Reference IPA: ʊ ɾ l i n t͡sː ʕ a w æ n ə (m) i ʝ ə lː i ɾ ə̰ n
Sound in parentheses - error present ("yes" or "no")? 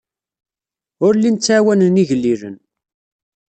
yes